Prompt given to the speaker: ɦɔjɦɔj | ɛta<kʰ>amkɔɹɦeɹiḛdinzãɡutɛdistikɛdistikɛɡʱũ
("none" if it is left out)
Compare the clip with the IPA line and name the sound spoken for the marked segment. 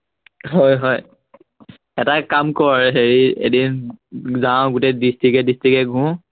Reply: k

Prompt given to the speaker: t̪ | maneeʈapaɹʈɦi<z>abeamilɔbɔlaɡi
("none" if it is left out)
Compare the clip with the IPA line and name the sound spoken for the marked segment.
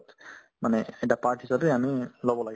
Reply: s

